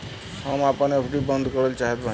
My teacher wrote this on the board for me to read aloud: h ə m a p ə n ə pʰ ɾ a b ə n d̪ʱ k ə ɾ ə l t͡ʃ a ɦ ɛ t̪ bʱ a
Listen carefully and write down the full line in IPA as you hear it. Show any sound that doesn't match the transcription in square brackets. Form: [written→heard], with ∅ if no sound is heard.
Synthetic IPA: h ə m a p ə n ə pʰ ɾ [a→i] b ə n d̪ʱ k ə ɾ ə l t͡ʃ a ɦ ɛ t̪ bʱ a